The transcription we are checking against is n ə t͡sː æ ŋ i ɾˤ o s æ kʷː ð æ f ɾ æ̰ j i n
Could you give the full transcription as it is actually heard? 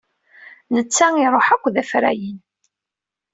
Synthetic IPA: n ə t͡sː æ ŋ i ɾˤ o ħ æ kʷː ð æ f ɾ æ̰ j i n